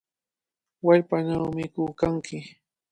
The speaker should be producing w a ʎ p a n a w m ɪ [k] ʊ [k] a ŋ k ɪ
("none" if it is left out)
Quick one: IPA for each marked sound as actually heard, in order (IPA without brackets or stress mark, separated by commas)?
k, k